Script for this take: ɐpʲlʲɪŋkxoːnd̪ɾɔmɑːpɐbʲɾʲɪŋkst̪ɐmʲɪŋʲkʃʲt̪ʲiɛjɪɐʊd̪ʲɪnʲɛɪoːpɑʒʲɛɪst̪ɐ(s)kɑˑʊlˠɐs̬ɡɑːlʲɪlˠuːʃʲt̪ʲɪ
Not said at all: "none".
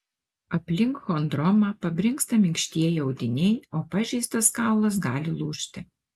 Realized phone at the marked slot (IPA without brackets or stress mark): s